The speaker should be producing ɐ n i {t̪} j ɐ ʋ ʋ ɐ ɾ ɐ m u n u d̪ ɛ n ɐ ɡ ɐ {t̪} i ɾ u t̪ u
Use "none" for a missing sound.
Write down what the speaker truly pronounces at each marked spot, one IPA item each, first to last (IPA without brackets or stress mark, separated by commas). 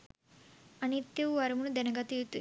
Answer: t̪, t̪